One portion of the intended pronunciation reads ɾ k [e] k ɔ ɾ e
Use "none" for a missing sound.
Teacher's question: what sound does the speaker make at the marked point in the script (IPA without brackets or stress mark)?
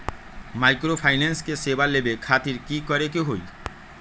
i